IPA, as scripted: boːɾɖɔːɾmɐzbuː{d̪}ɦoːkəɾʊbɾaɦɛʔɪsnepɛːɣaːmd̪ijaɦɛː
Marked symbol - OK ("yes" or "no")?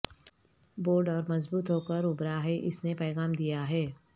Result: no